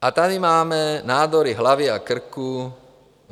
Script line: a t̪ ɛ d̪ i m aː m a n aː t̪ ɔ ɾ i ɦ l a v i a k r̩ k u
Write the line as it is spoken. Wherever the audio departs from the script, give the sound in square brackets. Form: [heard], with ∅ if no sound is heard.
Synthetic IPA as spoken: a t̪ [a] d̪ i m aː m [ɛ] n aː [d̪] ɔ ɾ i ɦ l a [ʋ] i a k r̩ k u

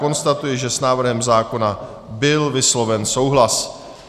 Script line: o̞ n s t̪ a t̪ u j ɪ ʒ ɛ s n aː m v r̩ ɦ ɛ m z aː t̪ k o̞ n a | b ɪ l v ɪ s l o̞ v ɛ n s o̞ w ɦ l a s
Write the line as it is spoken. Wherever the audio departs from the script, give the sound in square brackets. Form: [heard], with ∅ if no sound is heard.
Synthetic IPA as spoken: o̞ n s t̪ a t̪ u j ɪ ʒ ɛ s n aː [∅] v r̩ ɦ ɛ m z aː [∅] k o̞ n a | b ɪ l v ɪ s l o̞ v ɛ n s o̞ w ɦ l a s

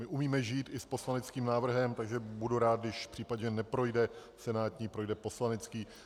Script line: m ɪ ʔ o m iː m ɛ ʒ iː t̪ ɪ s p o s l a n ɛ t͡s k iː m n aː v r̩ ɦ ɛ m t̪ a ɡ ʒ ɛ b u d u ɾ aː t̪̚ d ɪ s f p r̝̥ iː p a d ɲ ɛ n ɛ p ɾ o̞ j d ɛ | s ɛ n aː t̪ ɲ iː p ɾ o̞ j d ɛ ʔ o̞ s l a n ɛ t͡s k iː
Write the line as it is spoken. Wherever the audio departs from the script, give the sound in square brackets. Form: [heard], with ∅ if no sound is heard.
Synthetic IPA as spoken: m ɪ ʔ [u] m iː m ɛ ʒ iː t̪ ɪ s p o s l a n ɛ t͡s k iː m n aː v r̩ ɦ ɛ m t̪ a ɡ ʒ ɛ b u d u ɾ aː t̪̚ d ɪ [ʃ] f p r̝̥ iː p a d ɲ ɛ n ɛ p ɾ o̞ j d ɛ | s ɛ n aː t̪ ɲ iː p ɾ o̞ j d ɛ [p] o̞ s l a n ɛ t͡s k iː

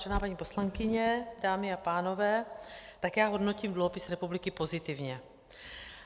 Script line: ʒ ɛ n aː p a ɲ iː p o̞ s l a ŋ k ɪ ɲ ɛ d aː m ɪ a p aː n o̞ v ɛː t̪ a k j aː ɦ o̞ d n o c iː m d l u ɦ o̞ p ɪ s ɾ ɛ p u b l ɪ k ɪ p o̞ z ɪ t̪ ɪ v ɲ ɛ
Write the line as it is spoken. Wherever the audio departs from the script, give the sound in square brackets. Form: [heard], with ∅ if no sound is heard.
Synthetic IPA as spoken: ʒ ɛ n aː p a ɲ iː p o̞ s l a ŋ k ɪ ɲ ɛ d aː m ɪ a p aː n o̞ v ɛː t̪ a k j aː ɦ o̞ d n o c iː m d l u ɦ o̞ p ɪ s ɾ ɛ p u b l ɪ k ɪ p o̞ z ɪ t̪ ɪ v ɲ ɛ

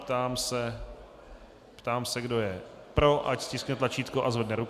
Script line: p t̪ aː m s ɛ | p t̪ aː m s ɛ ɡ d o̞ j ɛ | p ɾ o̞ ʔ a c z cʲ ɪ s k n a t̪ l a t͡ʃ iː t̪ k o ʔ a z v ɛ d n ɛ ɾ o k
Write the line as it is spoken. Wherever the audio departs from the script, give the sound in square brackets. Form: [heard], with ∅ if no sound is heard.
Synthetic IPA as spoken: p t̪ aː m s ɛ | p t̪ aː m s ɛ ɡ d o̞ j ɛ | p ɾ o̞ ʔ a c [s] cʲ ɪ s k n [ɛ] t̪ l a t͡ʃ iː t̪ k o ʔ a z v ɛ d n ɛ ɾ [u] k

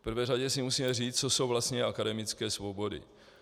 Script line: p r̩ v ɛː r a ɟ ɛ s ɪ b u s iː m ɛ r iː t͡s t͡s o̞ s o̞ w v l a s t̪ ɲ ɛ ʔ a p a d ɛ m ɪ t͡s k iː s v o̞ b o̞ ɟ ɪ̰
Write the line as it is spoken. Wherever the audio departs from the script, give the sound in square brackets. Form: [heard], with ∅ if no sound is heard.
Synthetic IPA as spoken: p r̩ v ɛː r a ɟ ɛ s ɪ [m] u s iː m ɛ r iː t͡s t͡s o̞ s o̞ w v l a s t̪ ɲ ɛ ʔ a [k] a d ɛ m ɪ t͡s k [ɛː] s v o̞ b o̞ [d] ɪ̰

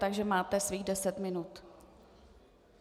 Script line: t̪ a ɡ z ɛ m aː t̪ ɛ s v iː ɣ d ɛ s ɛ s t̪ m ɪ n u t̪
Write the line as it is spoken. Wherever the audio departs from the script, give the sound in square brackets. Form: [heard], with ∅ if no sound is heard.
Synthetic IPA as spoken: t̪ a ɡ [ʒ] ɛ m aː t̪ ɛ s v iː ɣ d ɛ s ɛ [∅] t̪ m ɪ n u t̪

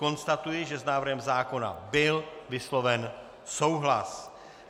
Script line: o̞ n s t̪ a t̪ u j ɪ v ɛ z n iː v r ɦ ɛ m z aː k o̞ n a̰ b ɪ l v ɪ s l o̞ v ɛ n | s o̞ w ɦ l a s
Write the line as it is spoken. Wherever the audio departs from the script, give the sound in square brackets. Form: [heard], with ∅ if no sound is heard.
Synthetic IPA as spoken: o̞ n s t̪ a t̪ u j ɪ [ʒ] ɛ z n [aː] v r ɦ ɛ m z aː k o̞ n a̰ b ɪ l v ɪ s l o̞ v ɛ n | s o̞ w ɦ l a s

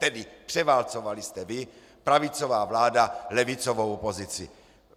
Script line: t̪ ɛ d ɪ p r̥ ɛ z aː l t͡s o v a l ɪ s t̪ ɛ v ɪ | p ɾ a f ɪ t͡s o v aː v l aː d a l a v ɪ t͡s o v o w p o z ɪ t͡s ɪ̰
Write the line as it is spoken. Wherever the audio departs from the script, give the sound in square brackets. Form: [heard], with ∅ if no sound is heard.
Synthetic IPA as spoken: t̪ ɛ d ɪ p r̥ ɛ [v] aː l t͡s o v a l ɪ s t̪ ɛ v ɪ | p ɾ a [v] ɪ t͡s o v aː v l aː d a l [ɛ] v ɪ t͡s o v o w p o z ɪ t͡s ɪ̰

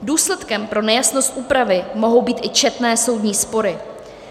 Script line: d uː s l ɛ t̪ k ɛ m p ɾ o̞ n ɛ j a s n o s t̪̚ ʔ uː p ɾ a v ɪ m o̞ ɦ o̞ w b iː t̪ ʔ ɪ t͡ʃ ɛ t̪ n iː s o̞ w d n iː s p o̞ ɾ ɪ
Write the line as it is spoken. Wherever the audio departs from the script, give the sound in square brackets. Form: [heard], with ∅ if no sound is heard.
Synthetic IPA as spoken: d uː s l ɛ t̪ k ɛ m p ɾ o̞ n ɛ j a s n o s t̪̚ ʔ uː p ɾ a v ɪ m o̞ ɦ o̞ w b iː t̪ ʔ ɪ t͡ʃ ɛ t̪ n [ɛː] s o̞ w d [ɲ] iː s p o̞ ɾ ɪ

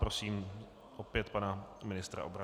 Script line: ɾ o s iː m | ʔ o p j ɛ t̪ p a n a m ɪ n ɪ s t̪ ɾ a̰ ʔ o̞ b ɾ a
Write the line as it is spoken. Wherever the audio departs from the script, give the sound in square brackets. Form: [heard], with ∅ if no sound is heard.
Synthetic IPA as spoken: ɾ o s iː m | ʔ o p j ɛ t̪ p a n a m ɪ n ɪ s t̪ ɾ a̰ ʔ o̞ b ɾ a

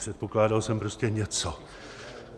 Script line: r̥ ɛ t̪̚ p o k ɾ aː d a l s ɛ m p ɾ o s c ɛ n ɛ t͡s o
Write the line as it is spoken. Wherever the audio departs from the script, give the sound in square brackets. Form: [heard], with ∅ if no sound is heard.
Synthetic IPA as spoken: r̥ ɛ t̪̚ p o k [l] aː d a l s ɛ m p ɾ o s c ɛ [ɲ] ɛ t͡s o

